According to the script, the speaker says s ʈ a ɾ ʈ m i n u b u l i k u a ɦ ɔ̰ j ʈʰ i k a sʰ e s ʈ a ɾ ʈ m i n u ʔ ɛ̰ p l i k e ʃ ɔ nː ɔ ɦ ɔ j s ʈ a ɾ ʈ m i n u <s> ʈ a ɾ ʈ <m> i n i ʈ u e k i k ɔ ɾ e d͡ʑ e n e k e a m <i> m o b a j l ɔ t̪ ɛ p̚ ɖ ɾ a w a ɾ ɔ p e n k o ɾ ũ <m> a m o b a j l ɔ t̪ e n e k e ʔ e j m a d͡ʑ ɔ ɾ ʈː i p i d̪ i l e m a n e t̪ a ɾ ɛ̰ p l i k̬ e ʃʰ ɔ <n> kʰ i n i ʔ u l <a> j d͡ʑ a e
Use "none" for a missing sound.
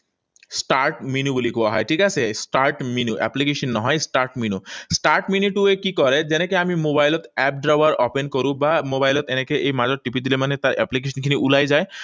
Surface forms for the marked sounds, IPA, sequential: s, m, i, b, n, a

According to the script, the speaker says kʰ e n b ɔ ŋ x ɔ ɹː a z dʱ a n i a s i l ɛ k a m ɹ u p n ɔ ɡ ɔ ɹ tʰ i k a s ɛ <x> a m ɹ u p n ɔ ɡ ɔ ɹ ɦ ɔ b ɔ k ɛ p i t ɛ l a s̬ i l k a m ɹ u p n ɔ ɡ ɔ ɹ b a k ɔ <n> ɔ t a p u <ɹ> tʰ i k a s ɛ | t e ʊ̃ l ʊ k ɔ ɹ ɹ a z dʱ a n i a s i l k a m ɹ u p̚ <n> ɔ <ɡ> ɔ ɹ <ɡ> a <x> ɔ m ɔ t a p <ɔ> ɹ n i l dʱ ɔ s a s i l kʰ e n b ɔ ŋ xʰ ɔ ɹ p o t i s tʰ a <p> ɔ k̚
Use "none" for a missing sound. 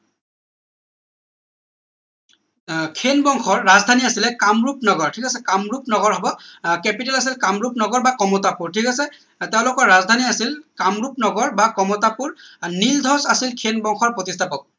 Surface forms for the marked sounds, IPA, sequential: k, m, ɹ, n, ɡ, b, k, u, p

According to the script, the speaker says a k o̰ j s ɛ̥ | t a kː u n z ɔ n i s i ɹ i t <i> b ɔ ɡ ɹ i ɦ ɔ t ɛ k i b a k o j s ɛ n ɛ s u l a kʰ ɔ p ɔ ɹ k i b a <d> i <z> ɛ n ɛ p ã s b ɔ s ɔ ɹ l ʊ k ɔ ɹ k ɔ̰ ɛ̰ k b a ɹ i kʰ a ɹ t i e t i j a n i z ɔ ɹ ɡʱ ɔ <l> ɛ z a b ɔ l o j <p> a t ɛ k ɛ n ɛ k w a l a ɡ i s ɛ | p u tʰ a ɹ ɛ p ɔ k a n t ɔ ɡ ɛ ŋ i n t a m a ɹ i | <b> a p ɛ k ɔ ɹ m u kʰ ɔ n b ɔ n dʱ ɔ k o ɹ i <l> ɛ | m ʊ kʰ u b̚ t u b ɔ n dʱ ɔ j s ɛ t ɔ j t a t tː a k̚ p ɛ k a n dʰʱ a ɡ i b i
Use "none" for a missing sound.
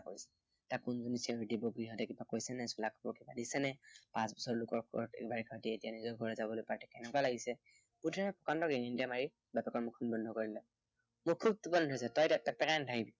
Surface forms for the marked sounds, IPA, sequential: i, d, s, ɹ, p, b, l

